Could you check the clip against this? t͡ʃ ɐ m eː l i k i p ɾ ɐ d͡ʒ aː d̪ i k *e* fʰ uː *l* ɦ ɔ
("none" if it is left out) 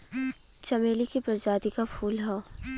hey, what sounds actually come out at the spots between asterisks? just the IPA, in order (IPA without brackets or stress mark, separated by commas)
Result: a, l